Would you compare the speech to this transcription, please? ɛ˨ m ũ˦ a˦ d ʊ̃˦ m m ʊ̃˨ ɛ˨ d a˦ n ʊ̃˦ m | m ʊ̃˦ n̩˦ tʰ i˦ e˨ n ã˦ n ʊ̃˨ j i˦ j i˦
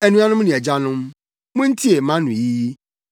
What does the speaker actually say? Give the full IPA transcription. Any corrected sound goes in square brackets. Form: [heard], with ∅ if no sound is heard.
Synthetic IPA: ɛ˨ [n] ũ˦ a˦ [n] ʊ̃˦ m [n] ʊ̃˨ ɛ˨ [d͡ʑ] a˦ n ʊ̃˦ m | m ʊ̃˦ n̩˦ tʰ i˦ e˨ [m] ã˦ n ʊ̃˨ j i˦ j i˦